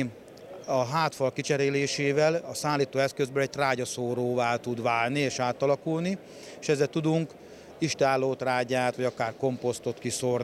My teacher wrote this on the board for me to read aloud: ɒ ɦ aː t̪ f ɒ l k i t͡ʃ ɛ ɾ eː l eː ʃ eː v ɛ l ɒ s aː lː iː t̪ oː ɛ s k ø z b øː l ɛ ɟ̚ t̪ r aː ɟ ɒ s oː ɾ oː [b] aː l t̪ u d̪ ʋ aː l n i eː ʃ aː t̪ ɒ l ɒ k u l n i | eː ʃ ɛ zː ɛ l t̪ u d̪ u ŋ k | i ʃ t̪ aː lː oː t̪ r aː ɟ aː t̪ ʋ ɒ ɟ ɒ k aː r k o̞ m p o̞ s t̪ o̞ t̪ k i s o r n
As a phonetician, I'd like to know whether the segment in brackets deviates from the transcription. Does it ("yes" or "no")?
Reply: yes